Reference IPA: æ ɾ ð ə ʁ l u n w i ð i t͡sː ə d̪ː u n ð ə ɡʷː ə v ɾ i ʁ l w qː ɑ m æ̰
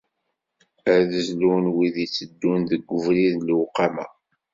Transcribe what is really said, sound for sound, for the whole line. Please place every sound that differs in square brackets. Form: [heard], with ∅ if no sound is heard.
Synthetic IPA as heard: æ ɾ ð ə [z] l u n w i ð i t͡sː ə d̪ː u n ð ə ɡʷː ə v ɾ i [ð] l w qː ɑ m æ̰